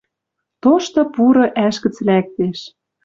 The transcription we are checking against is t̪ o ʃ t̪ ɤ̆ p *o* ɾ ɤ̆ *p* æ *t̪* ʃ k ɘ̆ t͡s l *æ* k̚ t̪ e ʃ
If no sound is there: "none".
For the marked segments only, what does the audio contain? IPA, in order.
u, ʔ, none, æ

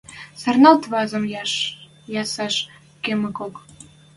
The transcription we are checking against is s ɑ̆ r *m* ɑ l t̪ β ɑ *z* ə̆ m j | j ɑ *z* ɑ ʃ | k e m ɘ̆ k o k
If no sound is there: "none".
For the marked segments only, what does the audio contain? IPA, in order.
n, z, s

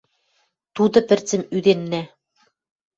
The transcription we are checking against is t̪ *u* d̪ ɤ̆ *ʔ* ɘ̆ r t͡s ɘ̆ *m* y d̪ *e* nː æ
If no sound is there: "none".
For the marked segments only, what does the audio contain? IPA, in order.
u, p, m, e

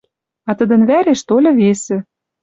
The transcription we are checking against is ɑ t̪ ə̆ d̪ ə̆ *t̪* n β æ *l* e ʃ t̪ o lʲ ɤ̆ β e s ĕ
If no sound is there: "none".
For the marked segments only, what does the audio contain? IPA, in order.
none, ɾ

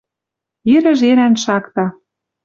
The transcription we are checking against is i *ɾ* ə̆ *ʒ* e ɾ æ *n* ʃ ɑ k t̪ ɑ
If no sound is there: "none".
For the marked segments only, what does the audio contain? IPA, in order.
ɾ, ʒ, n

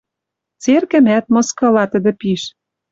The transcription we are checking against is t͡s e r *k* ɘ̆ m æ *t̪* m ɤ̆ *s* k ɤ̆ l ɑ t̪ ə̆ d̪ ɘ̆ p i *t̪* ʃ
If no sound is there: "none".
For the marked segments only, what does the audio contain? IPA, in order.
k, t̪, s, none

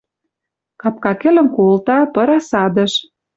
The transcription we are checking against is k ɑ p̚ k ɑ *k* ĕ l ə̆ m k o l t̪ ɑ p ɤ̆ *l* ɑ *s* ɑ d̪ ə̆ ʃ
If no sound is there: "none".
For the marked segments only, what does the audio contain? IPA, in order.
k, ɾ, s

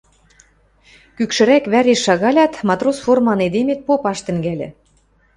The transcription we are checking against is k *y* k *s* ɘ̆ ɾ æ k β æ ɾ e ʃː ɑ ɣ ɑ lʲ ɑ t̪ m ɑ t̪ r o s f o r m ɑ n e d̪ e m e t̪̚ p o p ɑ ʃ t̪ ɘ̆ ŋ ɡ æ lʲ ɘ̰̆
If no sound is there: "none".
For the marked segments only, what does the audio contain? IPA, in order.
y, ʃ

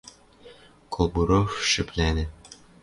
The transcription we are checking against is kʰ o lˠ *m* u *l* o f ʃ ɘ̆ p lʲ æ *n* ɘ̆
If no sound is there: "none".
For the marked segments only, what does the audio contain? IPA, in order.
b, ɾ, n

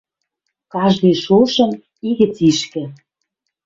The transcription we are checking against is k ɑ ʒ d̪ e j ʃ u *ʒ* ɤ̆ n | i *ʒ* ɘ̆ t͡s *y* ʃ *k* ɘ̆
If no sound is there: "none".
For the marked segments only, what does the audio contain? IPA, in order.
ʃ, ɣ, i, k

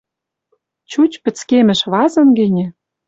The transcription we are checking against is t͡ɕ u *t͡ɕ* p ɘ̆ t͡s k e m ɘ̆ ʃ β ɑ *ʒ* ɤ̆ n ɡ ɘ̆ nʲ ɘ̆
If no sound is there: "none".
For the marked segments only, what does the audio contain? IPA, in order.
t͡ɕ, z

